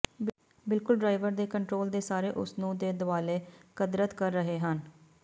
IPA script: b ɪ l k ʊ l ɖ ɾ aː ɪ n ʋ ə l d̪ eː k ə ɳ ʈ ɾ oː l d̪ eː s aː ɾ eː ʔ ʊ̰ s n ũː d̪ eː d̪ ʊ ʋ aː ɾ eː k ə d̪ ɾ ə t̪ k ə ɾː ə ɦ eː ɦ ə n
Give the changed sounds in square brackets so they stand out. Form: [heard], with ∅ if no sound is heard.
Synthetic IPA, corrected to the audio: b ɪ l k ʊ l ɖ ɾ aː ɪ [∅] ʋ ə [ɾ] d̪ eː k ə ɳ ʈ ɾ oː l d̪ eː s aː ɾ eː ʔ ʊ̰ s n ũː d̪ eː d̪ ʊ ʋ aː [l] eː k ə d̪ ɾ ə t̪ k ə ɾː ə ɦ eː ɦ ə n

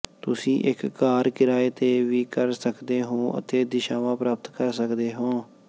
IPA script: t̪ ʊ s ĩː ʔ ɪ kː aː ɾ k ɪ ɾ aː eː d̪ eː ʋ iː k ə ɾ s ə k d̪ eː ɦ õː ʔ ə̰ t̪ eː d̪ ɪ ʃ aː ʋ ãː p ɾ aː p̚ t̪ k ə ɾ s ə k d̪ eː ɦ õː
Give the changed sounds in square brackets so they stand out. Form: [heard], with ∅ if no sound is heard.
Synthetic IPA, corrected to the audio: t̪ ʊ s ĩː ʔ ɪ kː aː ɾ k ɪ ɾ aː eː [t̪] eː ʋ iː k ə ɾ s ə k d̪ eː ɦ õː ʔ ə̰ t̪ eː d̪ ɪ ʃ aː ʋ ãː p ɾ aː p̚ t̪ k ə ɾ s ə k d̪ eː ɦ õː

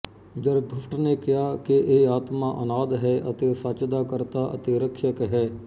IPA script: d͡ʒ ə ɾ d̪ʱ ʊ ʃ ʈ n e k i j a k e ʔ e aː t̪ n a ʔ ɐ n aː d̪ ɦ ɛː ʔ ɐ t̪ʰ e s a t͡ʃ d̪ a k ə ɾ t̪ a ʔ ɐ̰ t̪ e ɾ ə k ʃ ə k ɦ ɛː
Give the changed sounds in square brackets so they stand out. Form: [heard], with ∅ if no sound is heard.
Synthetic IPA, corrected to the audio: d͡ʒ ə ɾ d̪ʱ ʊ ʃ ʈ n e k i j a k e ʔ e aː t̪ [m] a ʔ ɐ n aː d̪ ɦ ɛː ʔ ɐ [t̪] e s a t͡ʃ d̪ a k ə ɾ t̪ a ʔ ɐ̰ t̪ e ɾ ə k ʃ ə k ɦ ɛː

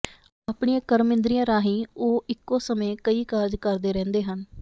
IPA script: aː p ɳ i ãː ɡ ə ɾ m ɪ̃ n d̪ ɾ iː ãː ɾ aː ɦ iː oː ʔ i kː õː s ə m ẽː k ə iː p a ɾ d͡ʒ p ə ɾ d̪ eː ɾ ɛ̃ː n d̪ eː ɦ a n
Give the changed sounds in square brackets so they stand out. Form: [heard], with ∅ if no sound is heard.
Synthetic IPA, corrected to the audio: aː p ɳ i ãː [k] ə ɾ m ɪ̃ n d̪ ɾ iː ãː ɾ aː ɦ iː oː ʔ [ɪ] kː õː s ə m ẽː k ə iː [k] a ɾ d͡ʒ [k] ə ɾ d̪ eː ɾ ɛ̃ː n d̪ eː ɦ [ə] n

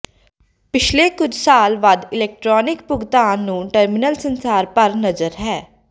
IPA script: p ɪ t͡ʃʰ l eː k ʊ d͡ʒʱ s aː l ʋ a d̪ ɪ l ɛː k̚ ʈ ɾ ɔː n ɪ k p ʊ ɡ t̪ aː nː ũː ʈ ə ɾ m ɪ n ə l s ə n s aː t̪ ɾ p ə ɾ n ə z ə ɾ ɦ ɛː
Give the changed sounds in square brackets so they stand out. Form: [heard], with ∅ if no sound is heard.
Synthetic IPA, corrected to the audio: p ɪ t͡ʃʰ l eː k ʊ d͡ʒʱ s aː l ʋ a d̪ ɪ l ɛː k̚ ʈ ɾ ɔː n ɪ k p ʊ ɡ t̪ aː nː ũː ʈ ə ɾ m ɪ n ə l s ə n s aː [∅] ɾ p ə ɾ n ə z ə ɾ ɦ ɛː

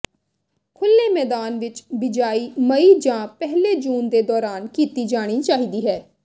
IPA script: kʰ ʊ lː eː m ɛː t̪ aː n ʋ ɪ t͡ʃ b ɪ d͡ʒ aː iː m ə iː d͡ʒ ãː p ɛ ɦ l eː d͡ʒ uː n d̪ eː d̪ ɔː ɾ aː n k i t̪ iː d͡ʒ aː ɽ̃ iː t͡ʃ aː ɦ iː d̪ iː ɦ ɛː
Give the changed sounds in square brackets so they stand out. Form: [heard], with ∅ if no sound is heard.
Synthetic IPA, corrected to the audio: kʰ ʊ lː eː m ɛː [d̪] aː n ʋ ɪ t͡ʃ b ɪ d͡ʒ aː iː m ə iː d͡ʒ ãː p ɛ ɦ l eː d͡ʒ uː n d̪ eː d̪ ɔː ɾ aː n k [iː] t̪ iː d͡ʒ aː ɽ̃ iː t͡ʃ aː ɦ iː d̪ iː ɦ ɛː

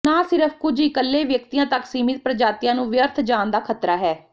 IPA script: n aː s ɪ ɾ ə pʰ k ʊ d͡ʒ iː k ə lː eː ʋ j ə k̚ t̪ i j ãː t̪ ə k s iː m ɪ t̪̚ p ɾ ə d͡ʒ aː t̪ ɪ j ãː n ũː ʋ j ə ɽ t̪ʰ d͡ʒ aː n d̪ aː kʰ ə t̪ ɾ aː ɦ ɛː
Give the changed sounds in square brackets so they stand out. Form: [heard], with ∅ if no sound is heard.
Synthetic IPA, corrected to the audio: n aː s ɪ ɾ ə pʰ k ʊ d͡ʒ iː k ə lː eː ʋ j ə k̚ t̪ i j ãː t̪ ə k s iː m ɪ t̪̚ p ɾ ə d͡ʒ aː t̪ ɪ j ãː n ũː ʋ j ə [ɾ] t̪ʰ d͡ʒ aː n d̪ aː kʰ ə t̪ ɾ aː ɦ ɛː

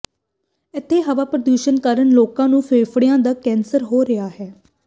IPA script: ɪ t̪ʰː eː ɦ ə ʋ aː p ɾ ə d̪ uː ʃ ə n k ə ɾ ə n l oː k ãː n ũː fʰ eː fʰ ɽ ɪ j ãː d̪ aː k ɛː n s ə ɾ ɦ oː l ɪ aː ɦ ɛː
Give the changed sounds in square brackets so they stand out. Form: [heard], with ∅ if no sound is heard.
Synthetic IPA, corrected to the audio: ɪ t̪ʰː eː ɦ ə ʋ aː p ɾ ə d̪ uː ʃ ə n k ə ɾ ə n l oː k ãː n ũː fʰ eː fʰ ɽ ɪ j ãː d̪ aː k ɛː n s ə ɾ ɦ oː [ɾ] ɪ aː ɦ ɛː

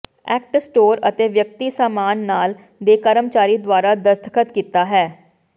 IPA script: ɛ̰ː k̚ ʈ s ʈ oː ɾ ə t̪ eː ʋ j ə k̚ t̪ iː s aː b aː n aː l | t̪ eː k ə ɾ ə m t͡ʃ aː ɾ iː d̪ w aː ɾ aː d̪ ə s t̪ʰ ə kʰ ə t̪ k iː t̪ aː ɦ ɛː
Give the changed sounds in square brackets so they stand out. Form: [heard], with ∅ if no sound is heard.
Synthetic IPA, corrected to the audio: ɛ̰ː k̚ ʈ s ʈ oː ɾ ə t̪ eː ʋ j ə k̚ t̪ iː s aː [m] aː [nː] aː l | [d̪] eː k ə ɾ ə m t͡ʃ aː ɾ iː d̪ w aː ɾ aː d̪ ə s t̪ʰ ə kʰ ə t̪ k iː t̪ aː ɦ ɛː

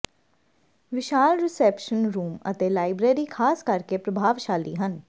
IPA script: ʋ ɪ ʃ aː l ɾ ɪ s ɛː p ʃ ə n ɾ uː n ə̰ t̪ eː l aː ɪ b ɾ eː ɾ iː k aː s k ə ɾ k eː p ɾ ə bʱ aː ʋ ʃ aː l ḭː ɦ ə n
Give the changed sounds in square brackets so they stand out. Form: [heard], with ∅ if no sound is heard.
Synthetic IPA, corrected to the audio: ʋ ɪ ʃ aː l ɾ ɪ s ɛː p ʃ ə n ɾ uː [m] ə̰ t̪ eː l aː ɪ b ɾ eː ɾ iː [kʰ] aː s k ə ɾ k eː p ɾ ə bʱ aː ʋ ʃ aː l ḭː ɦ ə n

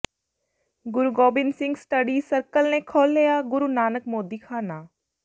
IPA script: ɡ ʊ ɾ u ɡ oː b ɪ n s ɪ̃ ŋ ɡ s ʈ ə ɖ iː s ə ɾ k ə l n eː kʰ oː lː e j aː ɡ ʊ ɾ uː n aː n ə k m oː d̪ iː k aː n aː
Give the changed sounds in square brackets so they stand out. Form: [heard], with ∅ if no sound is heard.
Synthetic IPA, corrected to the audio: ɡ ʊ ɾ u ɡ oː b ɪ n s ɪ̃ ŋ ɡ s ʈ ə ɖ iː s ə ɾ k ə l n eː kʰ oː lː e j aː ɡ ʊ ɾ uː n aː n ə k m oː d̪ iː [kʰ] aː n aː

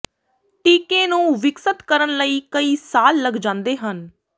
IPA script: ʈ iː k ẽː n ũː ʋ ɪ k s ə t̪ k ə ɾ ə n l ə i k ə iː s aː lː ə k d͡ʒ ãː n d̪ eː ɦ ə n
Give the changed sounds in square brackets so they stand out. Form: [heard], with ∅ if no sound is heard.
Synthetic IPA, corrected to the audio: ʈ iː k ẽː n ũː ʋ ɪ k s ə t̪ k ə ɾ ə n l ə [iː] k ə iː s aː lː ə [ɡ] d͡ʒ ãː n d̪ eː ɦ ə n

